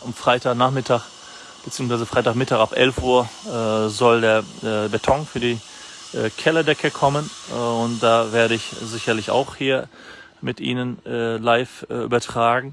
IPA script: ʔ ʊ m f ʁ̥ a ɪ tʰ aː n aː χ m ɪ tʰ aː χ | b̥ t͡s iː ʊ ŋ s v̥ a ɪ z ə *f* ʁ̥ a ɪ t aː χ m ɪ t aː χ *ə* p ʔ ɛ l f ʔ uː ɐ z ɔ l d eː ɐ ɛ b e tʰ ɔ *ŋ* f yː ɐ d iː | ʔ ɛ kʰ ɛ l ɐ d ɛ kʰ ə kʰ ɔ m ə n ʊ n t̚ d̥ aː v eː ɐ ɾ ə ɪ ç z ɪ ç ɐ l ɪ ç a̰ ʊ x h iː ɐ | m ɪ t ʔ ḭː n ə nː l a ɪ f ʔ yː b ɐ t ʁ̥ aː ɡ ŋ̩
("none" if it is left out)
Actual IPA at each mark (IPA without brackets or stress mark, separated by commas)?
f, a, ŋ